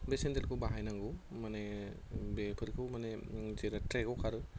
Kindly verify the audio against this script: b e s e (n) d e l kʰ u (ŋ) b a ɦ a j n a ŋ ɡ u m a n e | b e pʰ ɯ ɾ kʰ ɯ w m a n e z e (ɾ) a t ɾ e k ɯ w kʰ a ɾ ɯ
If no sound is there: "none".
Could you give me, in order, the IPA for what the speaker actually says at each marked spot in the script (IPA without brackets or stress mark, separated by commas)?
n, none, ɾ